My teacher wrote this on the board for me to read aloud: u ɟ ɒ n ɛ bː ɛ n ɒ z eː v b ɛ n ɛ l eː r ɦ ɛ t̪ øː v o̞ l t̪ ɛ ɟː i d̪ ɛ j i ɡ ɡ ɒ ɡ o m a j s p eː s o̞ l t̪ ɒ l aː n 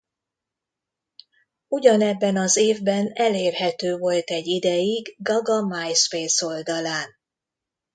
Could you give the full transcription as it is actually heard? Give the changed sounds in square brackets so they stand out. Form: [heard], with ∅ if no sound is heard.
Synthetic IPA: u ɟ ɒ n ɛ bː ɛ n ɒ z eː v b ɛ n ɛ l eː r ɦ ɛ t̪ øː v o̞ l t̪ ɛ ɟː i d̪ ɛ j i ɡ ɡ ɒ ɡ [ɒ] m a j s p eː s o̞ l [d̪] ɒ l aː n